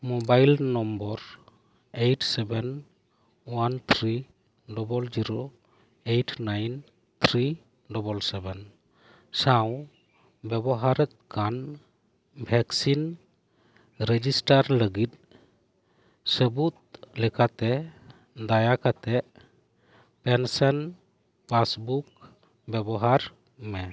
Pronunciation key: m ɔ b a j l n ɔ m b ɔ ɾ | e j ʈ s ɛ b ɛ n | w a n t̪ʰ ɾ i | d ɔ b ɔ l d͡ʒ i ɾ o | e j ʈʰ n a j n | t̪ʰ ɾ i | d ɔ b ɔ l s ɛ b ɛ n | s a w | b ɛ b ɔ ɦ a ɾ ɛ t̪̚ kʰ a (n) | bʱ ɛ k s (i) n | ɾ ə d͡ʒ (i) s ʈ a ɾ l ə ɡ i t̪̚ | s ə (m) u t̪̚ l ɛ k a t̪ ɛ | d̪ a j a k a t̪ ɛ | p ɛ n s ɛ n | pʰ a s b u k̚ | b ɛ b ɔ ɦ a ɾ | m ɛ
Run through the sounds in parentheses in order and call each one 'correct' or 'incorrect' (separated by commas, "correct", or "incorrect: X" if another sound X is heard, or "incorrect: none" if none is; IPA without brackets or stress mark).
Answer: correct, correct, correct, incorrect: b